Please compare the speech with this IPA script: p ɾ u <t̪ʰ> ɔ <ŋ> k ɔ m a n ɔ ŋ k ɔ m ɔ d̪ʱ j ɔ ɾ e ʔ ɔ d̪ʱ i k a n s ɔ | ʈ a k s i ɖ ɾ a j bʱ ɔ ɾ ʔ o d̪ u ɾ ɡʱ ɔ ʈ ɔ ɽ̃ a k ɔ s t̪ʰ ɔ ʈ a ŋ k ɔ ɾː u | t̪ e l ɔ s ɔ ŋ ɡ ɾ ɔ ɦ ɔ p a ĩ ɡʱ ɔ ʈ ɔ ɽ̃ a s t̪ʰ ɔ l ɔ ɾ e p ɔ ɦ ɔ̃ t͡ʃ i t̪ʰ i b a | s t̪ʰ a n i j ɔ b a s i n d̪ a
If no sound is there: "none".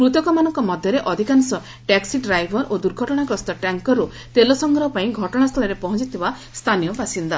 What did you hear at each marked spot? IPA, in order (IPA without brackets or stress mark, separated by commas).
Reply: t̪, none